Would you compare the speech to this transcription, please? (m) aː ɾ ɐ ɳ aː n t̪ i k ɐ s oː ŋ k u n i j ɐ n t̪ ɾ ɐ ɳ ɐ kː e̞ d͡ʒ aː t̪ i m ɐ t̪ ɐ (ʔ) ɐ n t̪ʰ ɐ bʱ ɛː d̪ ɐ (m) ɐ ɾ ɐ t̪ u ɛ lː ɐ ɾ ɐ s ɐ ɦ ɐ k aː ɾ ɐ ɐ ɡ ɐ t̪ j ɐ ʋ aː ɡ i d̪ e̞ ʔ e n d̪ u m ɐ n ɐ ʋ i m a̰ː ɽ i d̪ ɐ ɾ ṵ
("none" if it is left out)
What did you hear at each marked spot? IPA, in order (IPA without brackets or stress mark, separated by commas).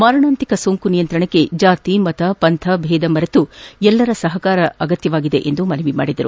m, p, m